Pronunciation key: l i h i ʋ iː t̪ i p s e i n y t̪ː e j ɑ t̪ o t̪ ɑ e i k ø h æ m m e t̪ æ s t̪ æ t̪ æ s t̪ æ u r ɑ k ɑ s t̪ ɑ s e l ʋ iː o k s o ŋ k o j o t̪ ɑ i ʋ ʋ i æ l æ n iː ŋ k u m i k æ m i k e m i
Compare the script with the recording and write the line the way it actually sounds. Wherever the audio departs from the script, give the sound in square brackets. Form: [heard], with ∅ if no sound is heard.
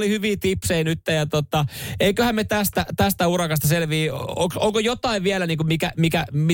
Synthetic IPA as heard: l i h [y] ʋ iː t̪ i p s e i n y t̪ː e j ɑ t̪ o t̪ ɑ e i k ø h æ m m e t̪ æ s t̪ æ t̪ æ s t̪ æ u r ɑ k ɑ s t̪ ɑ s e l ʋ iː o k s o ŋ k o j o t̪ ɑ i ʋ ʋ i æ l æ n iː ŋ k u m i k æ m i k [æ] m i